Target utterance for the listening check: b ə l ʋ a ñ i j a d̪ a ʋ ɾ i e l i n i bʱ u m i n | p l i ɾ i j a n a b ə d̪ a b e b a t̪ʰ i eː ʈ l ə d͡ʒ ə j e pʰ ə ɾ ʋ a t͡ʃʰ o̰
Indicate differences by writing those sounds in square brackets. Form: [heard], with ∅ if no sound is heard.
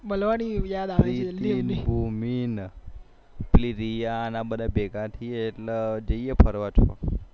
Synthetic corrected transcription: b ə l ʋ a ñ i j a d̪ a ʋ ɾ i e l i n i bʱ u m i n | p l i ɾ i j a n a b ə d̪ a b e [ɡ] a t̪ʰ i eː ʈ l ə d͡ʒ ə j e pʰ ə ɾ ʋ a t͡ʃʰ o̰